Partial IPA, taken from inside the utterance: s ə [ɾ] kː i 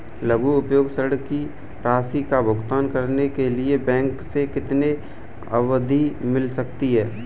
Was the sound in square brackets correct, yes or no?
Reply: no